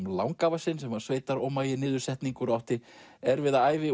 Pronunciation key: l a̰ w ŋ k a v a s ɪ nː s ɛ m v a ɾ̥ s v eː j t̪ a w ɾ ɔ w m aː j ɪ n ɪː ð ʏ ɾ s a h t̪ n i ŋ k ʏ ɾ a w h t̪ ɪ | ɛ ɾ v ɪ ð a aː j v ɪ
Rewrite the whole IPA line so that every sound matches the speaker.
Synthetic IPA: l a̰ w ŋ k a v a s ɪ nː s ɛ m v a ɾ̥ s v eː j t̪ a ɾ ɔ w m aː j ɪ n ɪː ð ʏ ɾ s ɛ h t̪ n i ŋ k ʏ ɾ a w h t̪ ɪ | ɛ ɾ v ɪ ð a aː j v ɪ